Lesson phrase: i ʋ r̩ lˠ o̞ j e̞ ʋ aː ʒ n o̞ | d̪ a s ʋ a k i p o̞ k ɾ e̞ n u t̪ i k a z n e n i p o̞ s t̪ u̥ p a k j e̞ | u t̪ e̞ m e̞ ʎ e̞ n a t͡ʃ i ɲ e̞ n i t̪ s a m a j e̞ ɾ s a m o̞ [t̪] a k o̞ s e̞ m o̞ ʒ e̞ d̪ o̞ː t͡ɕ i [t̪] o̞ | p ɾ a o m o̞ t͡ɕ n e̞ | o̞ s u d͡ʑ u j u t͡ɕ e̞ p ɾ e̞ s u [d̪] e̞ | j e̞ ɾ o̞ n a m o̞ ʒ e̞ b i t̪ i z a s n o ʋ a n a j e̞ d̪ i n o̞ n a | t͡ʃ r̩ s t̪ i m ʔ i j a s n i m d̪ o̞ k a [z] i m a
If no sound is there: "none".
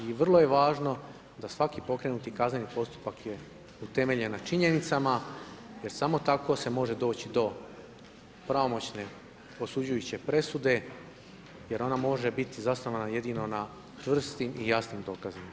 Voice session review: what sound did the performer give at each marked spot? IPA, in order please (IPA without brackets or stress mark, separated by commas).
t̪, d̪, d̪, z